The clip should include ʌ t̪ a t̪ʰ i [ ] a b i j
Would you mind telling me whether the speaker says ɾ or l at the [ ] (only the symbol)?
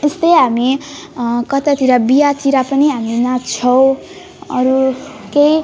ɾ